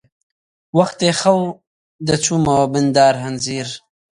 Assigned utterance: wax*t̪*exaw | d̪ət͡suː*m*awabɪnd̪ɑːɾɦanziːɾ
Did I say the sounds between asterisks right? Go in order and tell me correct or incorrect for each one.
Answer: correct, correct

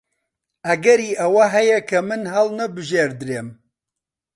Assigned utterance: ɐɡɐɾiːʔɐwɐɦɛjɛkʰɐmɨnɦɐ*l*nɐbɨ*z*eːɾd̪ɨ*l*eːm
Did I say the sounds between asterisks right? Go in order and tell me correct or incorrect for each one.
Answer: correct, incorrect, incorrect

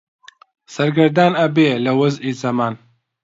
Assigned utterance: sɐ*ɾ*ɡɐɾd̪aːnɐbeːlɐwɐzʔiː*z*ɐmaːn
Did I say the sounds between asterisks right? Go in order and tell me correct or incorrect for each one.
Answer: correct, correct

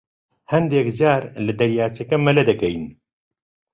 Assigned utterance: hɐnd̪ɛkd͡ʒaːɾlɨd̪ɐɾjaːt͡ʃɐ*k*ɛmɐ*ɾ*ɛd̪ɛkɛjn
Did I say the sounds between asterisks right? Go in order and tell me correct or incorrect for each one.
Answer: correct, incorrect

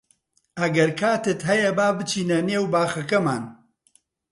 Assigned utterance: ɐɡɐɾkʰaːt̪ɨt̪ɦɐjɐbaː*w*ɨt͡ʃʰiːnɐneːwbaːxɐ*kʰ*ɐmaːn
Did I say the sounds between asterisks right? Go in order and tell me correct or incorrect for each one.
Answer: incorrect, incorrect

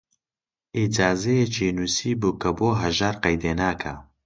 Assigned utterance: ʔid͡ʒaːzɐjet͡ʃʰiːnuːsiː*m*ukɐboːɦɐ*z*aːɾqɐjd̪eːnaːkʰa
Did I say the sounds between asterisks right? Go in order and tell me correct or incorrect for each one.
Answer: incorrect, incorrect

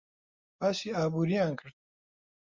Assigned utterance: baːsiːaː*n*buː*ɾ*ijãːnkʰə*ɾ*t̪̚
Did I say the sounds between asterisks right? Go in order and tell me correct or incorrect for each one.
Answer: incorrect, correct, correct

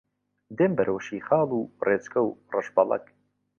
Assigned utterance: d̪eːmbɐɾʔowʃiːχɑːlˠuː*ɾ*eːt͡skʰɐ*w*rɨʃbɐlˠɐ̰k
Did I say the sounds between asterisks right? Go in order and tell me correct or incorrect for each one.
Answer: incorrect, correct

